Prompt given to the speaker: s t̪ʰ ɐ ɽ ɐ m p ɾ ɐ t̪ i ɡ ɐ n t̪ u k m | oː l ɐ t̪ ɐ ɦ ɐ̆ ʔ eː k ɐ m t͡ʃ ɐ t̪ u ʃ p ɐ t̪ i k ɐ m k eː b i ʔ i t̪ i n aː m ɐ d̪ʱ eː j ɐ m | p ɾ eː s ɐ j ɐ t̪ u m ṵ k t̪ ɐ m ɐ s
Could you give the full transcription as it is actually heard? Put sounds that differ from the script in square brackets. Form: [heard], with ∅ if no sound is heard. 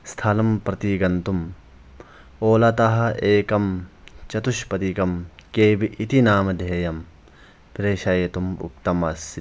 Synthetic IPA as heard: s t̪ʰ ɐ [l] ɐ m p ɾ ɐ t̪ i ɡ ɐ n t̪ u [∅] m | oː l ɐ t̪ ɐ ɦ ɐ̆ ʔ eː k ɐ m t͡ʃ ɐ t̪ u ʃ p ɐ t̪ i k ɐ m k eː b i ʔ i t̪ i n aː m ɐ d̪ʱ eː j ɐ m | p ɾ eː [ʃ] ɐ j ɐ t̪ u m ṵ k t̪ ɐ m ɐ s